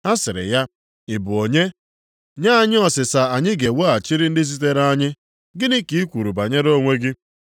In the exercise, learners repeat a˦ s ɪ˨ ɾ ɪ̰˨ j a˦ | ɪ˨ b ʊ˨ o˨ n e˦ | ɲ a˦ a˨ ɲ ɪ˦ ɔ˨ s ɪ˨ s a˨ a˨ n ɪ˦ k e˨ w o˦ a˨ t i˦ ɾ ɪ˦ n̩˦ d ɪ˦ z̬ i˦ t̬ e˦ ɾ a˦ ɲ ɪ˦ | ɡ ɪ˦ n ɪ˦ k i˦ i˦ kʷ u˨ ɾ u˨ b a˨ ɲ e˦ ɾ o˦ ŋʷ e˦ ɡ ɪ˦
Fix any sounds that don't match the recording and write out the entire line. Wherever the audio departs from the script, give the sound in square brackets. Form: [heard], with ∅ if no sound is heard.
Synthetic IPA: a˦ s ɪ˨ ɾ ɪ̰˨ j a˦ | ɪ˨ b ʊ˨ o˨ [ɲ] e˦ | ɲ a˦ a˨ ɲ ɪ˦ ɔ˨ s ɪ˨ s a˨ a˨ [ɲ] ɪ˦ [ɡ] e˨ w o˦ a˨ [t͡ʃ] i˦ ɾ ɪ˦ n̩˦ d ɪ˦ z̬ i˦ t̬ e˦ ɾ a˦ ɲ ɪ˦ | ɡ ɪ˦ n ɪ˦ k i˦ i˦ kʷ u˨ ɾ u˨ b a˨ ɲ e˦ ɾ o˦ ŋʷ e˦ ɡ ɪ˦